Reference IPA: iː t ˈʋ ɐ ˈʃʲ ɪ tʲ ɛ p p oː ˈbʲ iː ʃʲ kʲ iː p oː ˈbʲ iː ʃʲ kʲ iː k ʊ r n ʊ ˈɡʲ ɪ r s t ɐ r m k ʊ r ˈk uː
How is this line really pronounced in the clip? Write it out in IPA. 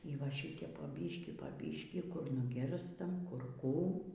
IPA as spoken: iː ˈʋ ɐ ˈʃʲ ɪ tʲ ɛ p p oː ˈbʲ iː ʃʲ kʲ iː p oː ˈbʲ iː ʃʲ kʲ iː k ʊ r n ʊ ˈɡʲ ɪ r s t ɐ m k ʊ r ˈk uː

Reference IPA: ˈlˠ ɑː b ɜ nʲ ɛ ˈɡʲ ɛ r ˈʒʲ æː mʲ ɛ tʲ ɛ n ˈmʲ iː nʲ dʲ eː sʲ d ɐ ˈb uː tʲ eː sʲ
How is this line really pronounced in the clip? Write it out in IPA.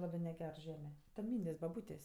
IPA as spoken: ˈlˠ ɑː b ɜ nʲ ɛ ˈɡʲ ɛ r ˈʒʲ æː mʲ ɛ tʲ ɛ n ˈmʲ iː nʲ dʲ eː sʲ b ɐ ˈb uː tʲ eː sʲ

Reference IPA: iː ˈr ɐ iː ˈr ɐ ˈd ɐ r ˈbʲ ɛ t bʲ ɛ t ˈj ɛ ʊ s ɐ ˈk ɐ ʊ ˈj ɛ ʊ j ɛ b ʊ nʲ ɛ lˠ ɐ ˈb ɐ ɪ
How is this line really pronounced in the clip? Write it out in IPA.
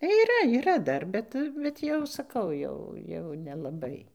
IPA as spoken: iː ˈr ɐ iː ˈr ɐ ˈd ɐ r ˈbʲ ɛ t bʲ ɛ t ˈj ɛ ʊ s ɐ ˈk ɐ ʊ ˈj ɛ ʊ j ɛ ʊ nʲ ɛ lˠ ɐ ˈb ɐ ɪ

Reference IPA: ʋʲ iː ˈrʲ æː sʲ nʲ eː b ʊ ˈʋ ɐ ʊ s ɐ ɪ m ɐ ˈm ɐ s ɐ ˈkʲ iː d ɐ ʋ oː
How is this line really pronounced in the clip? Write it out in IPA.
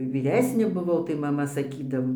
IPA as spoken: ʋʲ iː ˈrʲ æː sʲ nʲ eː b ʊ ˈʋ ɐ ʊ t ɐ ɪ m ɐ ˈm ɐ s ɐ ˈkʲ iː d ɐ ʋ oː

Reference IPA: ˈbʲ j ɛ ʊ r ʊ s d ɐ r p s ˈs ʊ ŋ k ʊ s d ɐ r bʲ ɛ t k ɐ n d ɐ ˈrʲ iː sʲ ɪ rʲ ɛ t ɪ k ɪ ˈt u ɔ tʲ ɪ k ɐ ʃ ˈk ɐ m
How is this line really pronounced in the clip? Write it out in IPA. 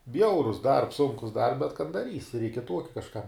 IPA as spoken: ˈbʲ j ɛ ʊ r ʊ s d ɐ r p s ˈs ʊ ŋ k ʊ s d ɐ r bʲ ɛ t k ɐ n d ɐ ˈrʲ iː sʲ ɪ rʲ ɛ ɪ k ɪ ˈt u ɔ kʲ ɪ k ɐ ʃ ˈk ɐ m

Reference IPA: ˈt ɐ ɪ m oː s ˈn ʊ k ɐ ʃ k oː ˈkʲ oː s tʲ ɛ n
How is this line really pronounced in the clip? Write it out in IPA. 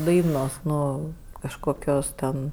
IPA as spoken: ˈd ɐ ɪ n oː s ˈn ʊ k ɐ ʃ k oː ˈkʲ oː s tʲ ɛ n

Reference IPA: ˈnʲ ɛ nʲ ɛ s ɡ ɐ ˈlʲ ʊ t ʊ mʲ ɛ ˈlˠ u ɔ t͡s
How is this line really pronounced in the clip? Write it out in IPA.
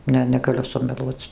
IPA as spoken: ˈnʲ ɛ nʲ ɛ ɡ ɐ ˈlʲ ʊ s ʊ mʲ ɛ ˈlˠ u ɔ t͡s

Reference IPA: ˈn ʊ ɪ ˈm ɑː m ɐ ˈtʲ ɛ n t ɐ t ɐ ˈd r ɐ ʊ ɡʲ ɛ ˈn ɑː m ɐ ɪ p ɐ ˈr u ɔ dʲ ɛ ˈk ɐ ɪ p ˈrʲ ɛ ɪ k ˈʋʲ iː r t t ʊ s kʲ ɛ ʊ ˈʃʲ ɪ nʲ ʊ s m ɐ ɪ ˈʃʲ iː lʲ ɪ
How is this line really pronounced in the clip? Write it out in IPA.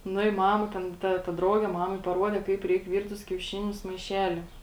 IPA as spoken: ˈn ʊ ɪ ˈm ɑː m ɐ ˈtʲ ɛ n t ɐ t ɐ ˈd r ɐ ʊ ɡʲ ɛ ˈm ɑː m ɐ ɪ p ɐ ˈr u ɔ dʲ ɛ ˈk ɐ ɪ p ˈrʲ ɛ ɪ k ˈʋʲ iː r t t ʊ s kʲ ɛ ʊ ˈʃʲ ɪ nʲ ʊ s m ɐ ɪ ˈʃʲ æː lʲ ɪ

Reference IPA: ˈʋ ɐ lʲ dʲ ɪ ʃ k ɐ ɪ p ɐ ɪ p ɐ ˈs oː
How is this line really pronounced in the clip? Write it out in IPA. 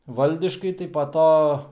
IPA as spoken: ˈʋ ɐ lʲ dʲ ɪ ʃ k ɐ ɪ t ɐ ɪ p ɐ ˈt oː

